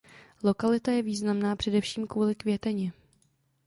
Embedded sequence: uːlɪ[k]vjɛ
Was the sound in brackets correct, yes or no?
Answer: yes